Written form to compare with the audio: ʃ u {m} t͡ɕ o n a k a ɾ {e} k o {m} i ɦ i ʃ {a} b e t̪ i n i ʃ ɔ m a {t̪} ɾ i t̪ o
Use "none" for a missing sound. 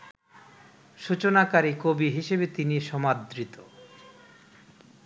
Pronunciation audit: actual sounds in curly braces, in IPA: none, i, b, e, d̪

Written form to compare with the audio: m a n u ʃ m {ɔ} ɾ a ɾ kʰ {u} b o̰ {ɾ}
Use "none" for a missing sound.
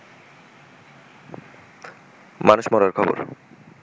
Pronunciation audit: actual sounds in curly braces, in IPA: ɔ, ɔ, ɾ

